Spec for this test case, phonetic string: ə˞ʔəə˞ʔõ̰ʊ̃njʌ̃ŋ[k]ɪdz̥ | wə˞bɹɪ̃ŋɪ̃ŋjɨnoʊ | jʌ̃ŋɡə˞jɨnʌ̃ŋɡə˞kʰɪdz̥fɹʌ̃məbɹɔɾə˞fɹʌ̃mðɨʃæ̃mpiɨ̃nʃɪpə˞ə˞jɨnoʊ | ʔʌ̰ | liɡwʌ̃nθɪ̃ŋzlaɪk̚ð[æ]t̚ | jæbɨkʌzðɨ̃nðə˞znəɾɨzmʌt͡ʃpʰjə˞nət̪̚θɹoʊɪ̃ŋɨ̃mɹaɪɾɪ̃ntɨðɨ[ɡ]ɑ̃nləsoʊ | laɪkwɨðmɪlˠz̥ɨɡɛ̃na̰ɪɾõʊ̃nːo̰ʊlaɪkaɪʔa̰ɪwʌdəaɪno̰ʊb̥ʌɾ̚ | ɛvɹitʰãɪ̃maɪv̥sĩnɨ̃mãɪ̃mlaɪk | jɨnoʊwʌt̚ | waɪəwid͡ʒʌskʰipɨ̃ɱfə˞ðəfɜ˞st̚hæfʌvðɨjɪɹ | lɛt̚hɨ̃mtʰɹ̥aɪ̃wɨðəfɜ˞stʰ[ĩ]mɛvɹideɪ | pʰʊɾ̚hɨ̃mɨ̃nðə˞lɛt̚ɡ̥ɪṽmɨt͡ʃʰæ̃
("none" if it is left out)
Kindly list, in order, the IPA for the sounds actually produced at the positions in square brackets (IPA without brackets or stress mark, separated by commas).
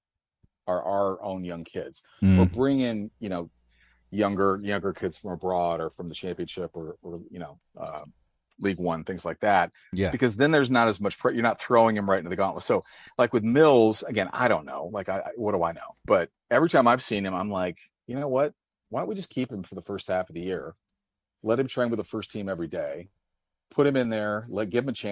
kʰ, æ, ɡ, ĩ